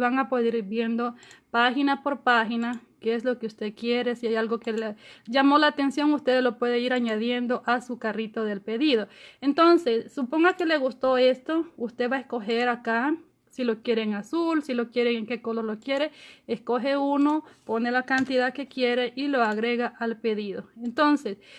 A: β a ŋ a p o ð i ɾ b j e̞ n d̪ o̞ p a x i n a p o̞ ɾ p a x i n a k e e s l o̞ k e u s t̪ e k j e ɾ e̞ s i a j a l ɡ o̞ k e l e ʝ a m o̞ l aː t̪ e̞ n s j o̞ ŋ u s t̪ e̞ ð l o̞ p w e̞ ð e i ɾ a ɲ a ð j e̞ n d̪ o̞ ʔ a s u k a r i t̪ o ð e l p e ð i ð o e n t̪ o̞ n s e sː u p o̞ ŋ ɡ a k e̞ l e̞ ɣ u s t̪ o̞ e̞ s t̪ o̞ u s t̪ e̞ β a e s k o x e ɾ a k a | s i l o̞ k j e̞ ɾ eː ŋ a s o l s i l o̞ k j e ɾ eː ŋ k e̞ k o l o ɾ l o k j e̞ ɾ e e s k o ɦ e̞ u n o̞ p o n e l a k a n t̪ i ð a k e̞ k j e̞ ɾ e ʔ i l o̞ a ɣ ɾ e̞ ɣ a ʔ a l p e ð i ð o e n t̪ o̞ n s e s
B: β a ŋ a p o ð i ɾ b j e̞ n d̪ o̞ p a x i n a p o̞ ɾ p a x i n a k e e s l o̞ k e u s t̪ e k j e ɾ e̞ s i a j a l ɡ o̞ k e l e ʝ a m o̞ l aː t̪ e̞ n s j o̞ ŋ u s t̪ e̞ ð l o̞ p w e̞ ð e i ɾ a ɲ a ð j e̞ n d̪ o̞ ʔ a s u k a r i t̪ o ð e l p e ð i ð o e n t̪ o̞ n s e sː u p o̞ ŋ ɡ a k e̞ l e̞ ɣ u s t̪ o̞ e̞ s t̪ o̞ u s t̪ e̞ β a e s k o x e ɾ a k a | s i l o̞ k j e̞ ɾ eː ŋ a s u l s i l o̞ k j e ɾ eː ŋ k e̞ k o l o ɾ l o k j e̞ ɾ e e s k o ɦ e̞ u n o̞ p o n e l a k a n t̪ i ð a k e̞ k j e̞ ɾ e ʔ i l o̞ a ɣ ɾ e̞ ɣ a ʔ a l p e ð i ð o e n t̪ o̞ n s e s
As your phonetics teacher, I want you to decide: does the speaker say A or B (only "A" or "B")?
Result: B